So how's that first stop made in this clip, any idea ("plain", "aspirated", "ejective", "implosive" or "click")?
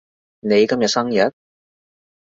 plain